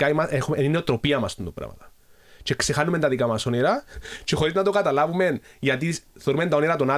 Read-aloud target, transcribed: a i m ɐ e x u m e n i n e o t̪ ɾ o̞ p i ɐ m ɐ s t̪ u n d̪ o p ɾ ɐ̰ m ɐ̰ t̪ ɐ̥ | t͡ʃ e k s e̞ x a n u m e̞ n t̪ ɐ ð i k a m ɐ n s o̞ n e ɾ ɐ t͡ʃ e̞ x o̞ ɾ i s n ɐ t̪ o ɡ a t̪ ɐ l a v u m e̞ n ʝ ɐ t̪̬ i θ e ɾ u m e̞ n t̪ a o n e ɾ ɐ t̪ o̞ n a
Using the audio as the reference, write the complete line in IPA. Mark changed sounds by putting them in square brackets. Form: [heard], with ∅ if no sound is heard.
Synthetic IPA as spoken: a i m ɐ e x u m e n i n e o t̪ ɾ o̞ p i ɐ m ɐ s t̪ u n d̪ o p ɾ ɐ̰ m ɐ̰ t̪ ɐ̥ | t͡ʃ e k s e̞ x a n u m e̞ n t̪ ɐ ð i k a m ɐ [∅] s o̞ n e ɾ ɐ t͡ʃ e̞ x o̞ ɾ i [z] n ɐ t̪ o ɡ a t̪ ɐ l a v u m e̞ n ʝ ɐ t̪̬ i θ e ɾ u m e̞ n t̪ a o n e ɾ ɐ t̪ o̞ n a